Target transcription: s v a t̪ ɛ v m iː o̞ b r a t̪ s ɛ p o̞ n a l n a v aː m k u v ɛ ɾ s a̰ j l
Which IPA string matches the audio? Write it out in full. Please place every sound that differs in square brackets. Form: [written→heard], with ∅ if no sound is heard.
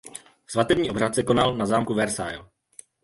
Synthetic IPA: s v a t̪ ɛ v [m→ɲ] iː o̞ b r a t̪ s ɛ [p→k] o̞ n a l n a [v→z] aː m k u v ɛ ɾ s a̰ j l